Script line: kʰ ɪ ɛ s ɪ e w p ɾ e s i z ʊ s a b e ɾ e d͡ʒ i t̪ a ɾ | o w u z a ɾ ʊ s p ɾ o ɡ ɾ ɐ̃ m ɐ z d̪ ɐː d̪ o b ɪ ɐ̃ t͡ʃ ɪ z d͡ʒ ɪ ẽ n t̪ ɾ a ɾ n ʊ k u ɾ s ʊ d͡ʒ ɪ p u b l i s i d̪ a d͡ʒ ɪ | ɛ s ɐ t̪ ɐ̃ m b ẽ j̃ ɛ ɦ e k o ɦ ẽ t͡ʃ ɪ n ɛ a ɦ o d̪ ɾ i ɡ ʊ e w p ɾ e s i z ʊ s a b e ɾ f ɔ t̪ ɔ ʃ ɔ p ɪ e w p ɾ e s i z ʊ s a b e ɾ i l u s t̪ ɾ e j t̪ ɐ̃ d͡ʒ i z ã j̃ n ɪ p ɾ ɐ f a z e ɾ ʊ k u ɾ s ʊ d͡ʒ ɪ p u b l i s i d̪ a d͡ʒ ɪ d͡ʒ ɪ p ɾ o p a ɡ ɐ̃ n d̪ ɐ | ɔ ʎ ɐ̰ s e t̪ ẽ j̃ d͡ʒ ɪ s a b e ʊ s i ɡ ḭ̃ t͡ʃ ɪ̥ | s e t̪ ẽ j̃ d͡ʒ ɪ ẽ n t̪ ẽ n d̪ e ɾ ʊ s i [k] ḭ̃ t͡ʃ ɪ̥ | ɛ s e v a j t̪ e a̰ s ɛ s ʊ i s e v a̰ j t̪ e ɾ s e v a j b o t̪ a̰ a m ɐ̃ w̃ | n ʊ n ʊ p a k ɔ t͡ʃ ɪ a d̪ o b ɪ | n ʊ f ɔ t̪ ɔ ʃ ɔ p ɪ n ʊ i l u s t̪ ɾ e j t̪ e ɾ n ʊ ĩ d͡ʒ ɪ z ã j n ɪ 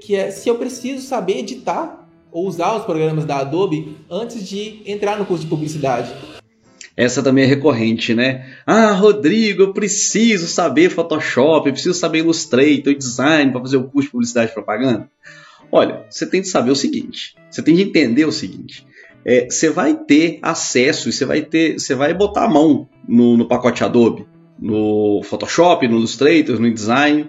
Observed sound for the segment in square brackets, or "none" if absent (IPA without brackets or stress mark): ɡ